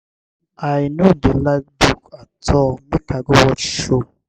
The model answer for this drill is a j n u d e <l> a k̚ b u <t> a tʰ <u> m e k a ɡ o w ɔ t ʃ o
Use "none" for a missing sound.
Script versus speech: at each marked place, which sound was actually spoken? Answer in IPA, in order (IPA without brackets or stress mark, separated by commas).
l, k, ɔ